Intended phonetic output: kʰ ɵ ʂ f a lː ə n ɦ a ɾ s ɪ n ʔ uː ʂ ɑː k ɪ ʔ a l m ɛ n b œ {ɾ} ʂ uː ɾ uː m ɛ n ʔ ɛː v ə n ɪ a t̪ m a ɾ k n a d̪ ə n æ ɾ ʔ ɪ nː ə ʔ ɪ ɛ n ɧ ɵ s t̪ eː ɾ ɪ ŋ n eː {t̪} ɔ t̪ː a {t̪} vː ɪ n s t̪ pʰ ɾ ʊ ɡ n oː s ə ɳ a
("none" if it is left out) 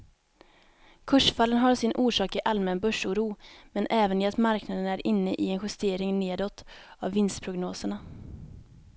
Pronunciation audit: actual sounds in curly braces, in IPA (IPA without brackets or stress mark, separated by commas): none, d̪, none